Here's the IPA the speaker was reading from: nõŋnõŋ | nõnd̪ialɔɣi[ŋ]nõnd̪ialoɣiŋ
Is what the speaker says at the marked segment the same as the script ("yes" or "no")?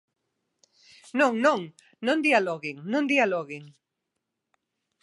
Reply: yes